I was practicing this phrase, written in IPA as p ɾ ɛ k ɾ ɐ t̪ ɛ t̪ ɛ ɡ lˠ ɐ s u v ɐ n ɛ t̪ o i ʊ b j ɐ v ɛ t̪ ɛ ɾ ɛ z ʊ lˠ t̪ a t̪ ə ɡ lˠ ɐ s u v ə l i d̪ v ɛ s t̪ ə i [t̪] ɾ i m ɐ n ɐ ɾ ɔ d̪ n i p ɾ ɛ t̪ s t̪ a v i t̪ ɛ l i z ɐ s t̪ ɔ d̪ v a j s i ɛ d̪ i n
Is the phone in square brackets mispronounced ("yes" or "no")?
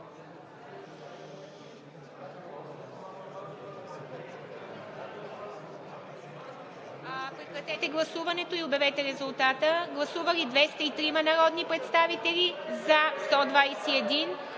no